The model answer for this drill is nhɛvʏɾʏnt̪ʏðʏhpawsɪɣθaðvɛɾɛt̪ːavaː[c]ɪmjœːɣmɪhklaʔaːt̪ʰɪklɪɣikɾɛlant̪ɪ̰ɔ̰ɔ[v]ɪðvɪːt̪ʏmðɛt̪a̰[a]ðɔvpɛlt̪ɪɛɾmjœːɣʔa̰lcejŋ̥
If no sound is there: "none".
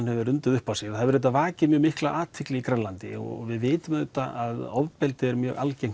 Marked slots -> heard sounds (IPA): c, v, a

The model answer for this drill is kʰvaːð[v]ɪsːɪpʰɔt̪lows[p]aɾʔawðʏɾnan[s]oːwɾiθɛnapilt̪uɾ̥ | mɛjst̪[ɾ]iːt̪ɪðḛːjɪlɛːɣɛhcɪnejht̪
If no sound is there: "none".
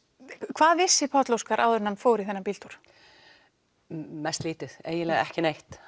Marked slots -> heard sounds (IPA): v, k, f, l

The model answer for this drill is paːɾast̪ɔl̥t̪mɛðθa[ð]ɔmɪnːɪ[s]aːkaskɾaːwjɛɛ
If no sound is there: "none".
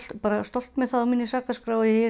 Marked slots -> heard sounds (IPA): ð, s

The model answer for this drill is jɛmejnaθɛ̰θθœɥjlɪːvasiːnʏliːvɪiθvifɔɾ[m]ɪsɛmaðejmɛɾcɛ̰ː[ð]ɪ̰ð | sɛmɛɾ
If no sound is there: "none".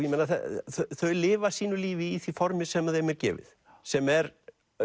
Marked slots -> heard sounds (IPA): m, v

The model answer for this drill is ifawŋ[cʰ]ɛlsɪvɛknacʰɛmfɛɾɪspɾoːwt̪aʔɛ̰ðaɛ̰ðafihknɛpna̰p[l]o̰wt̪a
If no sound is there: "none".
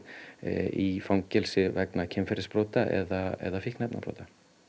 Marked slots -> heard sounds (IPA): c, ɾ

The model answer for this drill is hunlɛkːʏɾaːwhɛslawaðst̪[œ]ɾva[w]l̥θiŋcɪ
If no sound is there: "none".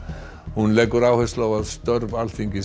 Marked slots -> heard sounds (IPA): œ, none

